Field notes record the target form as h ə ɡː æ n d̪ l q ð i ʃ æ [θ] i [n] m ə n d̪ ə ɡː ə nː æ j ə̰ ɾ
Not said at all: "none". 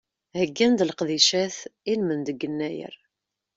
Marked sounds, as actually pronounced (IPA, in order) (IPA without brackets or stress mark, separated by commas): θ, n